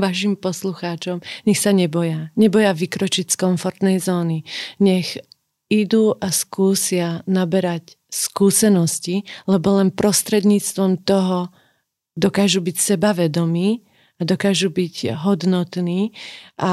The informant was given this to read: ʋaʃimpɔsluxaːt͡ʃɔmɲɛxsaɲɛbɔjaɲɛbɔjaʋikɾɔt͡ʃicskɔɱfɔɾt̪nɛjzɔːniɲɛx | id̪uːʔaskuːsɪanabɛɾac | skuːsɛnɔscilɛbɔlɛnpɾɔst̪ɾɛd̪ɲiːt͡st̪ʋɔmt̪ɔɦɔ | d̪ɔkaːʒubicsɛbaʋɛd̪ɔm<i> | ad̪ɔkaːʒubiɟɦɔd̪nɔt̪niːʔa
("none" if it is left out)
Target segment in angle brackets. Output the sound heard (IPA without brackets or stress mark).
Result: iː